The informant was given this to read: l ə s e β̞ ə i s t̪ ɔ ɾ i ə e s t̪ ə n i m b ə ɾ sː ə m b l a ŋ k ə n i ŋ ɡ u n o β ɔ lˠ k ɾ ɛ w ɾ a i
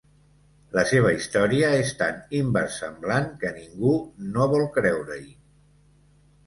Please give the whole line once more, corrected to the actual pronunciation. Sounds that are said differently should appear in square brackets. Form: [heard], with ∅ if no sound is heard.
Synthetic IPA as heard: l ə s e β̞ ə i s t̪ ɔ ɾ i ə e s t̪ [a] n i m b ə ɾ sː ə m b l a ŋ k ə n i ŋ ɡ u n o β ɔ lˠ k ɾ ɛ w ɾ [ə] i

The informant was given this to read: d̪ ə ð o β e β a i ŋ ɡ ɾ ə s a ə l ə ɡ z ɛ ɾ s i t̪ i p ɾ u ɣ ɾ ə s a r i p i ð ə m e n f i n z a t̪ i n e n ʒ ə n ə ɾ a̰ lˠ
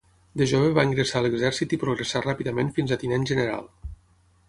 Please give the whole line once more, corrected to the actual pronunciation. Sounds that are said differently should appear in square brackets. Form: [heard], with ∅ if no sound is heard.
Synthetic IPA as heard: d̪ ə [ʒ] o β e β a i ŋ ɡ ɾ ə s a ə l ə ɡ z ɛ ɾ s i t̪ i p ɾ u ɣ ɾ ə s a r [a] p i ð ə m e n f i n z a t̪ i n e n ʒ ə n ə ɾ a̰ lˠ

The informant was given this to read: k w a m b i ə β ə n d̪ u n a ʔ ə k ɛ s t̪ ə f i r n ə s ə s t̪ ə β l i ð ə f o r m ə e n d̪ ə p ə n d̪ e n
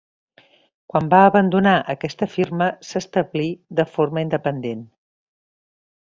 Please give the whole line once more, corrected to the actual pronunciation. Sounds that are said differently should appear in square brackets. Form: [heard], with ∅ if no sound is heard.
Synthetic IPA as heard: k w a m b [a] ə β ə n d̪ u n a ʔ ə k ɛ s t̪ ə f i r [m] ə s ə s t̪ ə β l i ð ə f o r m ə [i] n d̪ ə p ə n d̪ e n

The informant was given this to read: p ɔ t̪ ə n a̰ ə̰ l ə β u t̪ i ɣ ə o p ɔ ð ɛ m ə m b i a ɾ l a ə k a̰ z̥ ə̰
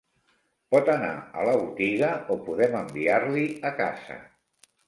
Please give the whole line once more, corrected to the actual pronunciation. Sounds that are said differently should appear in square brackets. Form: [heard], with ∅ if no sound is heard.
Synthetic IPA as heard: p ɔ t̪ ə n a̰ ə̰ l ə β u t̪ i ɣ ə o p [u] ð ɛ m ə m b i a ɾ l [i] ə k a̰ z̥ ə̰

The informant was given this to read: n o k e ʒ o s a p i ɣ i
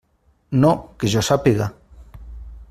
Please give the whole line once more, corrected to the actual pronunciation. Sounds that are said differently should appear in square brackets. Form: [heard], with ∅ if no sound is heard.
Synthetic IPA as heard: n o k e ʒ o s a p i ɣ [a]

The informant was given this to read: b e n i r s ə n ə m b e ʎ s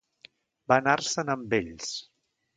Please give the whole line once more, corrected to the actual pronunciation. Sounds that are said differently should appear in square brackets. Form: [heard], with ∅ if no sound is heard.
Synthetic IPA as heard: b [a] n [a] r s ə n ə m b e ʎ s

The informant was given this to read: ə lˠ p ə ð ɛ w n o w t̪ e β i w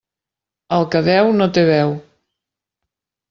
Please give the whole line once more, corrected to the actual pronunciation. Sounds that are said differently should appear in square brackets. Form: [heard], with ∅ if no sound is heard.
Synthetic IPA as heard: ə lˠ [k] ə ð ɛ w n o [∅] t̪ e β [ɛ] w

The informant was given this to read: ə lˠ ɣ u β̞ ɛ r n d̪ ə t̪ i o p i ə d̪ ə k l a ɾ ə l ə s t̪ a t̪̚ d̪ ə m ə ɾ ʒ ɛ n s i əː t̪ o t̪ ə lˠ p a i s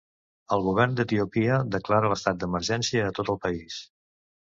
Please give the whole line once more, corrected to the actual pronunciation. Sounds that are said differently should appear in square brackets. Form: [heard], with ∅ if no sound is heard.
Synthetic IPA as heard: ə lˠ ɣ u β̞ ɛ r n d̪ ə t̪ i [u] p i ə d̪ ə k l a ɾ ə l ə s t̪ a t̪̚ d̪ ə m ə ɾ ʒ ɛ n s i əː t̪ o t̪ ə lˠ p [ə] i s

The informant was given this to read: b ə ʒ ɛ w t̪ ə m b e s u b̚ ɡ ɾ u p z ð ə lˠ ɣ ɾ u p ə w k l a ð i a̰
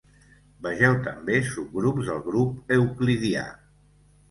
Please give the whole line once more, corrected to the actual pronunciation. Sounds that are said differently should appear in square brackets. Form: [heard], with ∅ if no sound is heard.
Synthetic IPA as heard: b ə ʒ ɛ w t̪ ə m b e s u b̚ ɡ ɾ u p z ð ə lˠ ɣ ɾ u p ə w k l [i] ð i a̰

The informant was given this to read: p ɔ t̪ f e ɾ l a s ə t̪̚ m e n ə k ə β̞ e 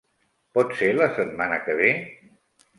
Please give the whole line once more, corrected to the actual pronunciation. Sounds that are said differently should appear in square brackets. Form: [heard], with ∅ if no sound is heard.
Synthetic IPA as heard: p ɔ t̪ [s] e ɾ l [ə] s ə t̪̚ m [a] n ə k ə β̞ e

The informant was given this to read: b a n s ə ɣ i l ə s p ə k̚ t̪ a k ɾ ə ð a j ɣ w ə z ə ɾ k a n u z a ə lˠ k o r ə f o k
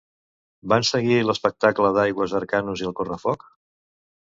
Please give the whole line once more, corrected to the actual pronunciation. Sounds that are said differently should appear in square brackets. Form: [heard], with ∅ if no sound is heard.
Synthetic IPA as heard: b a n s ə ɣ i l ə s p ə k̚ t̪ a k [l] ə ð a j ɣ w ə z ə ɾ k a n u z [i] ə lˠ k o r ə f [ɔ] k

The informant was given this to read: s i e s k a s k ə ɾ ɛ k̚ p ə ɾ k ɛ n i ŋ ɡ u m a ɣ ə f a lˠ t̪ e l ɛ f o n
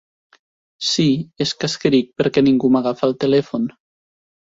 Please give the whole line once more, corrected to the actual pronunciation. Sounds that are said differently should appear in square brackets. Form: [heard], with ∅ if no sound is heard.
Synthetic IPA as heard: s i e s k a s k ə ɾ [i] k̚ p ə ɾ k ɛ n i ŋ ɡ u m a ɣ [a] f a lˠ t̪ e l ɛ f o n

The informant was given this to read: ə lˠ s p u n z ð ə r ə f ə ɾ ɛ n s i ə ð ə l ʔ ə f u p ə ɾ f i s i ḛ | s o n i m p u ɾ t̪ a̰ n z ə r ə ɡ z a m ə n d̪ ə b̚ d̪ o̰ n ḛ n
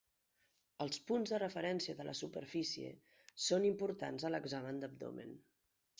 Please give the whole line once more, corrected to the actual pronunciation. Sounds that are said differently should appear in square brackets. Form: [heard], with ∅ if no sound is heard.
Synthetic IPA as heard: ə lˠ s p u n z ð ə r ə f ə ɾ ɛ n s i ə ð ə l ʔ ə [s] u p ə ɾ f i s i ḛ | s o n i m p u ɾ t̪ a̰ n z ə [l] ə ɡ z a m ə n d̪ ə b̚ d̪ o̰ [m] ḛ n

